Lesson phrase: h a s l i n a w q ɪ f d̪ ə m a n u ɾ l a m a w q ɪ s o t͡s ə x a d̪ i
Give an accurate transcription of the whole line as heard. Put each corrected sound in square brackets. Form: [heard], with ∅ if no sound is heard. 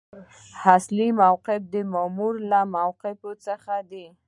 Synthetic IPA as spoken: h a s l i [m] a w q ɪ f d̪ ə m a [m] u ɾ l a m a w q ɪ [f] o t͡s ə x a d̪ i